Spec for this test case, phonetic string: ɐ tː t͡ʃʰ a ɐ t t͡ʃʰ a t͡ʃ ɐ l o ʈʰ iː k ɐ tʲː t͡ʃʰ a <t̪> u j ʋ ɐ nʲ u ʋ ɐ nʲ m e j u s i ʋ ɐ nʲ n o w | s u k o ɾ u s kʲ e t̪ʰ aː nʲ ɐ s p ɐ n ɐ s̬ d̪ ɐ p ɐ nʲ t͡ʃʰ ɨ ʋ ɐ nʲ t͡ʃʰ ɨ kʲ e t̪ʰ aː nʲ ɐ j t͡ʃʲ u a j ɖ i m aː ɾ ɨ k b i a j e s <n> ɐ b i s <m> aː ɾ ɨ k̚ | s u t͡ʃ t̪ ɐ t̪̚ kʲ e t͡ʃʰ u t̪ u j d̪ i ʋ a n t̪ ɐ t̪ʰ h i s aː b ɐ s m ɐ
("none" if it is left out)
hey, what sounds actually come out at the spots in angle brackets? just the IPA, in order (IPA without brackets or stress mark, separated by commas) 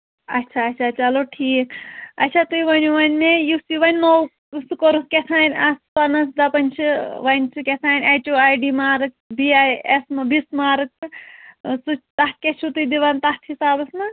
t̪, m, m